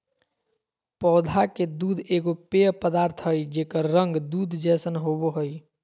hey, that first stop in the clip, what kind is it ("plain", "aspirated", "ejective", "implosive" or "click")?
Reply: plain